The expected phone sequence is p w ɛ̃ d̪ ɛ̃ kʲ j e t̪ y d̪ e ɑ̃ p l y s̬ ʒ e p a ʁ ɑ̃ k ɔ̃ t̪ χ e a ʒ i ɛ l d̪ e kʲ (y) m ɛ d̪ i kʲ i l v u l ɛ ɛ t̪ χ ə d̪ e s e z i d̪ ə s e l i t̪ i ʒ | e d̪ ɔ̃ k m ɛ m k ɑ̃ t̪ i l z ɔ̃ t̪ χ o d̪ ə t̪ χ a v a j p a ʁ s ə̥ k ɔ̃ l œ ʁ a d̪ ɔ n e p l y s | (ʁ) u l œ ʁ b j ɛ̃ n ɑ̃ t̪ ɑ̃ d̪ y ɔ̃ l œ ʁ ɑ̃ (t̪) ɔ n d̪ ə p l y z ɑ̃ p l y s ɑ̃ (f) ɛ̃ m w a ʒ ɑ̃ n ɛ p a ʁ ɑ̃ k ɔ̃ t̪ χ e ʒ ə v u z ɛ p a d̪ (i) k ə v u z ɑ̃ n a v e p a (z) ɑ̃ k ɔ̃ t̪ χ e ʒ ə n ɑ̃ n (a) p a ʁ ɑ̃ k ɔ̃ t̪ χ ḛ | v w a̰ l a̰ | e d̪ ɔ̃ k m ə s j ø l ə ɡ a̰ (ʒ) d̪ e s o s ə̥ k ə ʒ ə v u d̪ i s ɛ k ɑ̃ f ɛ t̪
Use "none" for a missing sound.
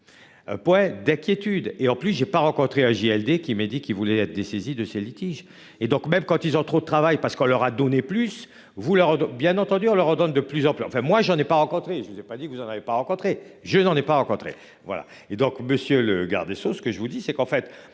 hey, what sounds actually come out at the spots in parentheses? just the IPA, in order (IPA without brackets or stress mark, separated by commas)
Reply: i, v, d̪, f, i, ʁ, ɛ, ʁ